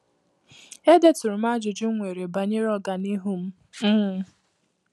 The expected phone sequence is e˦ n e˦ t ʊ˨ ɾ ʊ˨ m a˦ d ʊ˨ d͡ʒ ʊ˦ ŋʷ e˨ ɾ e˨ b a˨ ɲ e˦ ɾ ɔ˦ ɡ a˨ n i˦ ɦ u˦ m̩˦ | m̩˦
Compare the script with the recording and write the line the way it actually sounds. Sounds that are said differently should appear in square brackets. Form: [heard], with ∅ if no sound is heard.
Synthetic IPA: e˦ [d] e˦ t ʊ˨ ɾ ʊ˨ m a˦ [d͡ʒ] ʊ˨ d͡ʒ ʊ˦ ŋʷ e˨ ɾ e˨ b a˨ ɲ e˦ ɾ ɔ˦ ɡ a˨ n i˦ ɦ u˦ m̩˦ | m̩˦